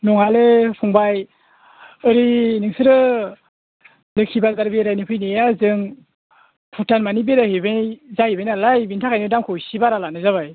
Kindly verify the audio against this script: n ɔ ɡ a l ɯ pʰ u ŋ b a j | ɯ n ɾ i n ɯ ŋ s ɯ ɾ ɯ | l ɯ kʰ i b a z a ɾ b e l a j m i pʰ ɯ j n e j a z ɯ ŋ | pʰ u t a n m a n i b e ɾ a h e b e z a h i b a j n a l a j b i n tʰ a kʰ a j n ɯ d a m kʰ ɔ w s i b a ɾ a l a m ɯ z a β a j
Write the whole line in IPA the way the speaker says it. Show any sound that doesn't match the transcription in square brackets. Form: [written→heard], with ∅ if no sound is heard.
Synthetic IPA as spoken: n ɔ [ɡ→ŋ] a l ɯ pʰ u ŋ b a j | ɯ [n→∅] ɾ i n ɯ ŋ s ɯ ɾ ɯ | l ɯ kʰ i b a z a ɾ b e [l→ɾ] a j [m→n] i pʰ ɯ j n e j a z ɯ ŋ | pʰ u t a n m a n i b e ɾ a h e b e z a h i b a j n a l a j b i n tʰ a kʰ a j n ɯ d a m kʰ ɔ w s i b a ɾ a l a [m→n] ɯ z a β a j